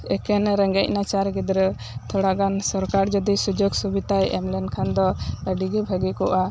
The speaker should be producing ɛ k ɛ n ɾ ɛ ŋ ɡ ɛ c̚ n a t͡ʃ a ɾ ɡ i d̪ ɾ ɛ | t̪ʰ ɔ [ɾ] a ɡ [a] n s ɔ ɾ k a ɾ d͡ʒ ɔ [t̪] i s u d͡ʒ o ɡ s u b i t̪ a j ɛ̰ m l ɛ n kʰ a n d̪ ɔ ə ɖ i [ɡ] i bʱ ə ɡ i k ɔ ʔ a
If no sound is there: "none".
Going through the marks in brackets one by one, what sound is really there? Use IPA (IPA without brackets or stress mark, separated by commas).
ɽ, a, d̪, ɡ